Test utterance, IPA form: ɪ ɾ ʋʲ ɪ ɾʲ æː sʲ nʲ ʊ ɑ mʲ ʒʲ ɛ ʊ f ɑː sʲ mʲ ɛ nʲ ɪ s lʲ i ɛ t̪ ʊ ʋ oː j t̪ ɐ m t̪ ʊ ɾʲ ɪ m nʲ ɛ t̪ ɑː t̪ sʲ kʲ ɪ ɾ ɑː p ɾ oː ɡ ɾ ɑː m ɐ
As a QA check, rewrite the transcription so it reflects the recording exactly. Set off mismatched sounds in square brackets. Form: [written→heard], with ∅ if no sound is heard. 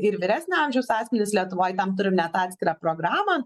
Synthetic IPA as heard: ɪ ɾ ʋʲ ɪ ɾʲ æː sʲ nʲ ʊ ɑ mʲ ʒʲ ɛ ʊ [f→s] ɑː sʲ mʲ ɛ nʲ ɪ s lʲ i ɛ t̪ ʊ ʋ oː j t̪ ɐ m t̪ ʊ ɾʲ ɪ m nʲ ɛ t̪ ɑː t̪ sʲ kʲ ɪ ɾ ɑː p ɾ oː ɡ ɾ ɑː m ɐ